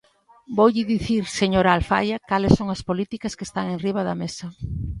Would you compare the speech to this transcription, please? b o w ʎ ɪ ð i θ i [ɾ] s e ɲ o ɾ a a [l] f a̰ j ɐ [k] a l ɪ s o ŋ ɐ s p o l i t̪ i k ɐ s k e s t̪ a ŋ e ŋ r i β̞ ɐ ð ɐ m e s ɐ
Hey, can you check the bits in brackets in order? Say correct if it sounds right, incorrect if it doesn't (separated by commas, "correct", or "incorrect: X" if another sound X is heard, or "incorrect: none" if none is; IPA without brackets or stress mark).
correct, correct, correct